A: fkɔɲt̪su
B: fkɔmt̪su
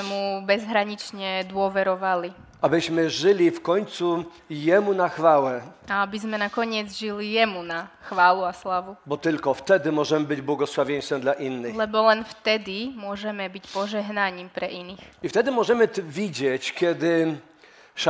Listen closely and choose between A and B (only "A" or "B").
A